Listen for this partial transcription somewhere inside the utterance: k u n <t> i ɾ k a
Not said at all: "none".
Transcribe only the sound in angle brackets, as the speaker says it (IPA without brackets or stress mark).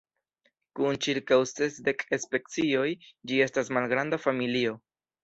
t͡ʃ